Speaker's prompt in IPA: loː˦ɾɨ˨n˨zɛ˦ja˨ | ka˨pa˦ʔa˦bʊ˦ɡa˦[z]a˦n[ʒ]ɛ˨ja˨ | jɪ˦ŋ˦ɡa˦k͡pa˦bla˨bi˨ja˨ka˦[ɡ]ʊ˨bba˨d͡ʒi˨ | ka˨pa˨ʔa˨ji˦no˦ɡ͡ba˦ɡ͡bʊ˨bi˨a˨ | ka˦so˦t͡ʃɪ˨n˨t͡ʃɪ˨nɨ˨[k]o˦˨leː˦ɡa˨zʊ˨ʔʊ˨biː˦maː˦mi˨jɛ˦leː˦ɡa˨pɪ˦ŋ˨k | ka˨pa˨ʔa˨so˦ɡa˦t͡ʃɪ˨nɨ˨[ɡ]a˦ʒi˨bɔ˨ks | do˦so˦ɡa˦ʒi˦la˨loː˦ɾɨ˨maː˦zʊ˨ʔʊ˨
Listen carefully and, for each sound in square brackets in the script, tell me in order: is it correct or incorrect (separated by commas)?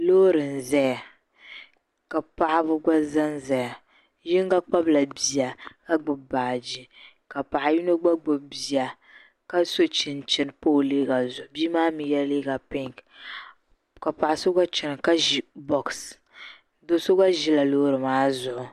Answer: correct, incorrect, incorrect, incorrect, incorrect